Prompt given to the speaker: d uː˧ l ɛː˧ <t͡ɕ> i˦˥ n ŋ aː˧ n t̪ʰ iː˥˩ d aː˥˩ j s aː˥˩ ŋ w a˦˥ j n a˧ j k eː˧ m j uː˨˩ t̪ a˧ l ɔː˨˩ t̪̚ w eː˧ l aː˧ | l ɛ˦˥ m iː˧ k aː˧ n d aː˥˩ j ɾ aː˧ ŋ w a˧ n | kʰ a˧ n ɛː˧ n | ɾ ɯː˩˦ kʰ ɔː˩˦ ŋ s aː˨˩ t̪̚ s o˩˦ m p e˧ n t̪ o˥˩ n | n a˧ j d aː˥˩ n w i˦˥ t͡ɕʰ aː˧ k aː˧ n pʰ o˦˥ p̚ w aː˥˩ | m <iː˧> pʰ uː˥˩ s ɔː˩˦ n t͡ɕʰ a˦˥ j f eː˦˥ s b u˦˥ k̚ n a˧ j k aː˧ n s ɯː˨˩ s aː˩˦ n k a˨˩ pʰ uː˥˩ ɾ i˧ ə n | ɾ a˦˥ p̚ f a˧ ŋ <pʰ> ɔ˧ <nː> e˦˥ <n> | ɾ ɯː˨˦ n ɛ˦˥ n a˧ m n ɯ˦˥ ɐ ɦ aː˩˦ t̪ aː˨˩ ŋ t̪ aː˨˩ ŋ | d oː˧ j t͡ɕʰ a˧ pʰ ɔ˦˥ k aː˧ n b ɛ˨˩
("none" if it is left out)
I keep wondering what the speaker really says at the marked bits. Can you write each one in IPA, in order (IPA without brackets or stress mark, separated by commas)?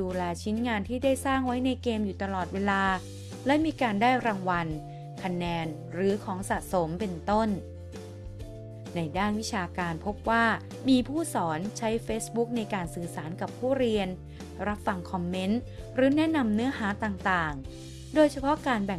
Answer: t͡ɕʰ, iː˧, kʰ, mː, n